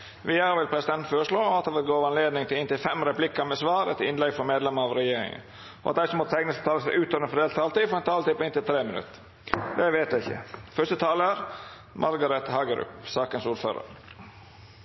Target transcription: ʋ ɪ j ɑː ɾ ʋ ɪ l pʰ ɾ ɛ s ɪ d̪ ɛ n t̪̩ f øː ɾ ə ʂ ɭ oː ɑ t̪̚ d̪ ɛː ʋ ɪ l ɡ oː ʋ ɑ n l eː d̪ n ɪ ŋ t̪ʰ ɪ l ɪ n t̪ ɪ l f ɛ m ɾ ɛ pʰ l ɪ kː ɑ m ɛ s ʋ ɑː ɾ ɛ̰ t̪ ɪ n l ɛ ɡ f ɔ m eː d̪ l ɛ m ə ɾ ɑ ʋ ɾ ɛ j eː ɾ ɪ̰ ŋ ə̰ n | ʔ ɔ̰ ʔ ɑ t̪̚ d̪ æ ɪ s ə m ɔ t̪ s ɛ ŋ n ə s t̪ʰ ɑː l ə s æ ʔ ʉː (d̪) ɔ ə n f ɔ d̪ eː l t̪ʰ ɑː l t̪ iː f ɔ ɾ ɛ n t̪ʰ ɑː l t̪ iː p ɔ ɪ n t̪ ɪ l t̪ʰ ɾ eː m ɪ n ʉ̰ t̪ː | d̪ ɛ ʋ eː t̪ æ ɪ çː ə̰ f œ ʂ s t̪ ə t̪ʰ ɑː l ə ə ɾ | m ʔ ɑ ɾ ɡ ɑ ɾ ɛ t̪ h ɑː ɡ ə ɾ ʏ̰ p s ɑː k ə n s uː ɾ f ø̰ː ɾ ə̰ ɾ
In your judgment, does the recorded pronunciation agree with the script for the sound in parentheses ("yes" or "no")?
no